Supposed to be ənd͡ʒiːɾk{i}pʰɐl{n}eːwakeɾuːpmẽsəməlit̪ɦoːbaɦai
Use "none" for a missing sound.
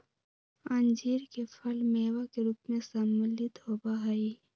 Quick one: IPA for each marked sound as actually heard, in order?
e, m

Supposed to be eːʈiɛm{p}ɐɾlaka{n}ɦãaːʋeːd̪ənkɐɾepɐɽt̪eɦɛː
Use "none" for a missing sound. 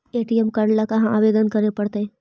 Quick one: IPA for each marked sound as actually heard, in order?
k, none

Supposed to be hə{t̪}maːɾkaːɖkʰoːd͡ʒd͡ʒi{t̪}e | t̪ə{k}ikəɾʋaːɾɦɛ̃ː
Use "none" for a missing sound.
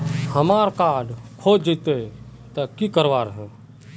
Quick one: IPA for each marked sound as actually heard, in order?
none, t̪, k

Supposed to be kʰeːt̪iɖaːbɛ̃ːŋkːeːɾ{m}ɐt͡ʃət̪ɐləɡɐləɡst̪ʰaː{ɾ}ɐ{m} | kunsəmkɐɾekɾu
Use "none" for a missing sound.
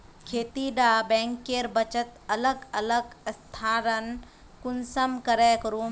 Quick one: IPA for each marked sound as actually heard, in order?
b, ɾ, n

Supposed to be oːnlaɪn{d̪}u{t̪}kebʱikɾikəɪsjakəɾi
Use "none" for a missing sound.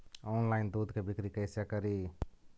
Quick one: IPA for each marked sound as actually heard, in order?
d̪, d̪

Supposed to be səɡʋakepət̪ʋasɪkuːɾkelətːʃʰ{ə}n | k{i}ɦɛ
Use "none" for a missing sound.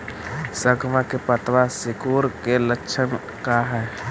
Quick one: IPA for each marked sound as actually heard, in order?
ə, a

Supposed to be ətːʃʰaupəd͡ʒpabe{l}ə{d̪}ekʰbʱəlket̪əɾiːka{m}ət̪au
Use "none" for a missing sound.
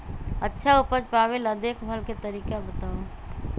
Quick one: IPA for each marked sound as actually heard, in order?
l, d̪, b

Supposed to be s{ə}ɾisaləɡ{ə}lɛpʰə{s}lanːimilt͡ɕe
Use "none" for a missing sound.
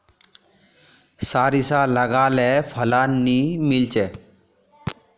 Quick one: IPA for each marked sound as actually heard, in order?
a, a, none

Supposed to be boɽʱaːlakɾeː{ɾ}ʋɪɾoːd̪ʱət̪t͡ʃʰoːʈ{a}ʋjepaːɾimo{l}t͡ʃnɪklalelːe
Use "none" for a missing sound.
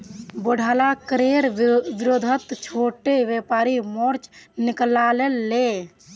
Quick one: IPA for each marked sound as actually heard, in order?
ɾ, e, ɾ

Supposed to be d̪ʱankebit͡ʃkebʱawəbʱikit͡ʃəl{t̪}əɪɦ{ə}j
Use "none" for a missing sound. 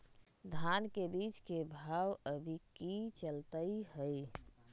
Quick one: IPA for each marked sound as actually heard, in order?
t̪, ə

